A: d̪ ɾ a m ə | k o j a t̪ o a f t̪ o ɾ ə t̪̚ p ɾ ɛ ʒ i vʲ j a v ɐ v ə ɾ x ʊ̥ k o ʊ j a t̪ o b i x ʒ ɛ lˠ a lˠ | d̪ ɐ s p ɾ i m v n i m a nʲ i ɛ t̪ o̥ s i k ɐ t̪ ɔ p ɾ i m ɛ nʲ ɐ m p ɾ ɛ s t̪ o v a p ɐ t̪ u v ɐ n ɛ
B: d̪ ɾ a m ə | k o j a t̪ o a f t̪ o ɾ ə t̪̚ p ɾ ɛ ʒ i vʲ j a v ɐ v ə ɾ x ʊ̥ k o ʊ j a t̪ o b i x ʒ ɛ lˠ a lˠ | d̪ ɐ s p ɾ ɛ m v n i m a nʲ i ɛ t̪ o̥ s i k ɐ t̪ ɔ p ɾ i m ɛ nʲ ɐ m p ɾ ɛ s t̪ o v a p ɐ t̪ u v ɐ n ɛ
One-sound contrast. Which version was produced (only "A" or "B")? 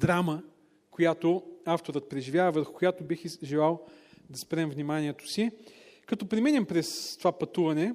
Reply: B